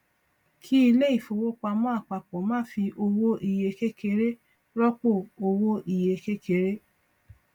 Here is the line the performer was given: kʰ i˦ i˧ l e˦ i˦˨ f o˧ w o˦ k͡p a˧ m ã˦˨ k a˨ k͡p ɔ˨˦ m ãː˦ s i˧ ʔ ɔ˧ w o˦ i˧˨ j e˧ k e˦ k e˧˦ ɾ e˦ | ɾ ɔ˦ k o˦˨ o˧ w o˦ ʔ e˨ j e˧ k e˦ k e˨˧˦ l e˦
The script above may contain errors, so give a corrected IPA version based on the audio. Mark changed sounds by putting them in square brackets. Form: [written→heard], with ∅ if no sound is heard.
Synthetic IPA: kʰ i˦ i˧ l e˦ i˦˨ f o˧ w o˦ k͡p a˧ m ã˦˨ [k→k͡p] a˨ k͡p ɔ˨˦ m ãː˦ [s→f] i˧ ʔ [ɔ˧→o˧] w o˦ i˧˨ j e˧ k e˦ k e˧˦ ɾ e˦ | ɾ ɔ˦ [k→k͡p] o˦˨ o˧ w o˦ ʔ [e˨→i˨] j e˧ k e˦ k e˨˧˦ [l→ɾ] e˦

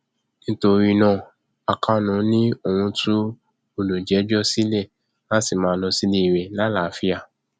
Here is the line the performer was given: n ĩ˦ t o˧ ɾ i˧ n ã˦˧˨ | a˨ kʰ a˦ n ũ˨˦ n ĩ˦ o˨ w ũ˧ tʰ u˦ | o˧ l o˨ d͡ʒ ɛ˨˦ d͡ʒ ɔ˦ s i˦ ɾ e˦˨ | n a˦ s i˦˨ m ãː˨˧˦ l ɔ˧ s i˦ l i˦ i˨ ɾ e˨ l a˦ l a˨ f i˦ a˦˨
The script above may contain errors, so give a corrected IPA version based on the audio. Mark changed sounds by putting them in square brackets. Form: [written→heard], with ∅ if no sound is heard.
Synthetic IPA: n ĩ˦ t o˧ ɾ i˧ n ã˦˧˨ | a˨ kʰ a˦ n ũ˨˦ n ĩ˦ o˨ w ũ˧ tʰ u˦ | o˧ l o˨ d͡ʒ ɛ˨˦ d͡ʒ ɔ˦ s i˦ [ɾ→l] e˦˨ | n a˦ s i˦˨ m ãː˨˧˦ l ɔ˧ s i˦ l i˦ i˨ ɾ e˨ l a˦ l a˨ f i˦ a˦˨

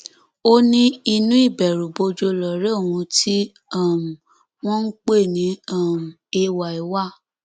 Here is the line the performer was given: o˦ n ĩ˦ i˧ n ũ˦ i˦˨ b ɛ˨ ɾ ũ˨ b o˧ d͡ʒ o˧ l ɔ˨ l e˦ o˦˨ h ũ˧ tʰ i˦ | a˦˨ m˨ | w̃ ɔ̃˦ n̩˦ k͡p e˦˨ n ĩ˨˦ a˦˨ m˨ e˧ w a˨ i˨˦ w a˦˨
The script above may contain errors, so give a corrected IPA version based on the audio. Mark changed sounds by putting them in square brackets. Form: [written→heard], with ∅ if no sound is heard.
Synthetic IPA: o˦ n ĩ˦ i˧ n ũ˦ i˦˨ b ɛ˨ ɾ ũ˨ b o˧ d͡ʒ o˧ l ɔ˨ [l→ɾ] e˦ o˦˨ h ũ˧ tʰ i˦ | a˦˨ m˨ | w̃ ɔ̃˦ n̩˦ k͡p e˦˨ n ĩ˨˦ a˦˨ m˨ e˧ w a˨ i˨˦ w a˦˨

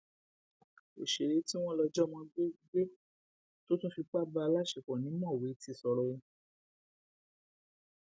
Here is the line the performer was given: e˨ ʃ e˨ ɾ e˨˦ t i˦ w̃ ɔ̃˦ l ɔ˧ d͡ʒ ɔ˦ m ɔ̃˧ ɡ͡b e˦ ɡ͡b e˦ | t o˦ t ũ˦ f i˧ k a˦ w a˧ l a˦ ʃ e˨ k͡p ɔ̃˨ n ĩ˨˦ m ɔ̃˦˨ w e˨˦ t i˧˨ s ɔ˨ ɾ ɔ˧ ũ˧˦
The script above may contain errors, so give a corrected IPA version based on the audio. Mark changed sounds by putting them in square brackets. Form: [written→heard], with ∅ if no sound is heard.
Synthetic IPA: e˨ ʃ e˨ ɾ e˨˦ t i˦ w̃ ɔ̃˦ l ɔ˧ d͡ʒ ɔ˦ m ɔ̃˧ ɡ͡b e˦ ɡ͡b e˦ | t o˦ t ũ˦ f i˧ [k→k͡p] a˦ [w→b] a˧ l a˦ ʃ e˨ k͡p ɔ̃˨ n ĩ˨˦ m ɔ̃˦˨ w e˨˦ t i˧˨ s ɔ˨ ɾ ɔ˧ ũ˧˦

